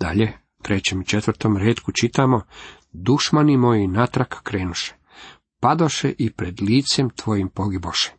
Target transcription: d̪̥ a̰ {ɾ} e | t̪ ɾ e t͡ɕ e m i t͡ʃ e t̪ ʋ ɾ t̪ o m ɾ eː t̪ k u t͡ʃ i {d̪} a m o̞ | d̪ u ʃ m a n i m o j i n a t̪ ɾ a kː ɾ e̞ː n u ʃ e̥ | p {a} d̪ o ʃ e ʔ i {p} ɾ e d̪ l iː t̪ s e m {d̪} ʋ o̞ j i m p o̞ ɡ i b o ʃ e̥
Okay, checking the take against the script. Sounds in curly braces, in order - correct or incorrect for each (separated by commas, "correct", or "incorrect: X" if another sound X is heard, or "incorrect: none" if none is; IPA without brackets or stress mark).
incorrect: ʎ, incorrect: t̪, correct, correct, incorrect: t̪